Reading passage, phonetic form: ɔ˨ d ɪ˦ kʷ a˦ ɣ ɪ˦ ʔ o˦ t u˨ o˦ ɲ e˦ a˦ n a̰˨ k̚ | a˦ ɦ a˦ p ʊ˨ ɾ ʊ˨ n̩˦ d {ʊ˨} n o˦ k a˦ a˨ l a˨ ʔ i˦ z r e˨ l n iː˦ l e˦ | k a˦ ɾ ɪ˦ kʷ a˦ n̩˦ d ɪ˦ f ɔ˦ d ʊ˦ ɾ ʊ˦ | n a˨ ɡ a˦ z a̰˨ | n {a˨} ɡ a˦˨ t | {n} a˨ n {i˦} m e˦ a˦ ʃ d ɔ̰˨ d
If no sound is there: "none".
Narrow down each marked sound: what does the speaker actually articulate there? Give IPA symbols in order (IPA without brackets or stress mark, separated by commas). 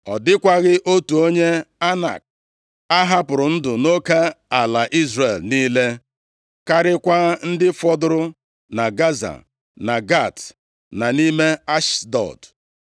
ʊ˨, a˨, n, i˦